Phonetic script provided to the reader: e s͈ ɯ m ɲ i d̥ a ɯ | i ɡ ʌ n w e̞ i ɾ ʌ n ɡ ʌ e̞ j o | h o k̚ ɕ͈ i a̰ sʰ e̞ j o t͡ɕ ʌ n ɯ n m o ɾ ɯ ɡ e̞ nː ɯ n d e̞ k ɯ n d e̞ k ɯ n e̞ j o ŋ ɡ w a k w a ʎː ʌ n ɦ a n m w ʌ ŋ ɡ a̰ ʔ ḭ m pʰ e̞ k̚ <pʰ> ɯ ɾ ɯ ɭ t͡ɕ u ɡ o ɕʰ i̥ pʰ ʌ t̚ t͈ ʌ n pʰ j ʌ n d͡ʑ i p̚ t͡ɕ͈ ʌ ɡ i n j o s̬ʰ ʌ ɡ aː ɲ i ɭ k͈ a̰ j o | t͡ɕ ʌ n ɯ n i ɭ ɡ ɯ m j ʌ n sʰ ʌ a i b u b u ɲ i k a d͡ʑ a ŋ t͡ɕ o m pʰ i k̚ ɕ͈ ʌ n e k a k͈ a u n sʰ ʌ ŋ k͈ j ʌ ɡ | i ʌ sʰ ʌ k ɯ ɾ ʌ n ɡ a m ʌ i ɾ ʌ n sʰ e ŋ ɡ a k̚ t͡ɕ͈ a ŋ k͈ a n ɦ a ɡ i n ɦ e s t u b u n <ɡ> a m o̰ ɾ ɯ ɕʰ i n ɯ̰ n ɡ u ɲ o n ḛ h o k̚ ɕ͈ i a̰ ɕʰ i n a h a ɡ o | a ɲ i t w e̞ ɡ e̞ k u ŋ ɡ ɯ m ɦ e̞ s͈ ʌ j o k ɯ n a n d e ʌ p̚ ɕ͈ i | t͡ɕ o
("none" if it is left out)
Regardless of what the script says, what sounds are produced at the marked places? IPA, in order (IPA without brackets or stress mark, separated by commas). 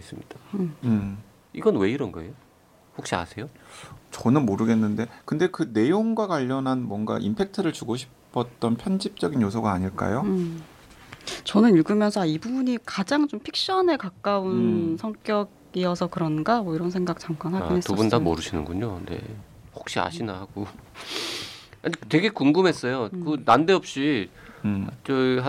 tʰ, d